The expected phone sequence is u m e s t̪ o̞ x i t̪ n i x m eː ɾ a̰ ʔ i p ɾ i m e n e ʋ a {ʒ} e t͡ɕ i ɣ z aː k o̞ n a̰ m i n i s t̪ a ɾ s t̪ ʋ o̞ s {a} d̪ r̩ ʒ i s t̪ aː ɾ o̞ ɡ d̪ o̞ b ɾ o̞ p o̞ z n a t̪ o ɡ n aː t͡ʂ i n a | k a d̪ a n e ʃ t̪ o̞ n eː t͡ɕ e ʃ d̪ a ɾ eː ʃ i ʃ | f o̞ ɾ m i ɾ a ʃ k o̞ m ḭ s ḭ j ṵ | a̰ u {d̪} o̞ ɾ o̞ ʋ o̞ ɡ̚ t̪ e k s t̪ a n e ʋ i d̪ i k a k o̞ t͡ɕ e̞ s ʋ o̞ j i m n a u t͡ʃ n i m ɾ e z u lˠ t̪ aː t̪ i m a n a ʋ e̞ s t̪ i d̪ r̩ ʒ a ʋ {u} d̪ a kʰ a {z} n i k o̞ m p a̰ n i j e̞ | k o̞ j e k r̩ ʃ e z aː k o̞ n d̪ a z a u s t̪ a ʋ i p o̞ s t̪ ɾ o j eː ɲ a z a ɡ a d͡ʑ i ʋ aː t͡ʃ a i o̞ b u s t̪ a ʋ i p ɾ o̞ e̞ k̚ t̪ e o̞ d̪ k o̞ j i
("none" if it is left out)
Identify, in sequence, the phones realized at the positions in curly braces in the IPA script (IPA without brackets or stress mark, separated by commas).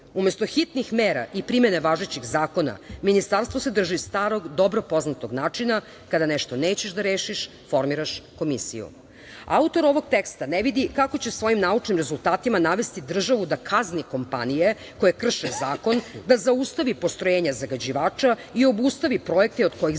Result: ʒ, e, t̪, u, z